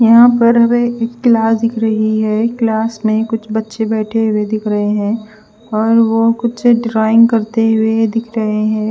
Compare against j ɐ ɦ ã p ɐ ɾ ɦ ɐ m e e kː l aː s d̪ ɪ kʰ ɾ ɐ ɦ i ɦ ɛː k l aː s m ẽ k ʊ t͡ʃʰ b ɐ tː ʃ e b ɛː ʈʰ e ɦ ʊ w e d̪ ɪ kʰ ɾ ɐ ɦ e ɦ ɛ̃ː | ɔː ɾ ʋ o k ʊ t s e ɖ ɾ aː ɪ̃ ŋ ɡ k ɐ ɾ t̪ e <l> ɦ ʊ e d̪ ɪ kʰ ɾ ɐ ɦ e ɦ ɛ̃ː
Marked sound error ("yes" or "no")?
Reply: yes